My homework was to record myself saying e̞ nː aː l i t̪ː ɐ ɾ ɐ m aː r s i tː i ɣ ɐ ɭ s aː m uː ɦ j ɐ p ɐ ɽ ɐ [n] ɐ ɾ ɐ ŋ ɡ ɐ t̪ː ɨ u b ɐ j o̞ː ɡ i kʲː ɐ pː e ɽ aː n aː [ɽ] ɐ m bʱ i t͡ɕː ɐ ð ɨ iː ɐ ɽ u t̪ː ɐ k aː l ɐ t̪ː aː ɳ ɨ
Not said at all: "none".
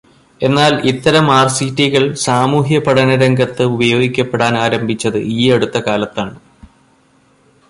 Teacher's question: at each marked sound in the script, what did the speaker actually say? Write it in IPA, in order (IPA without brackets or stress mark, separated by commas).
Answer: n, ɾ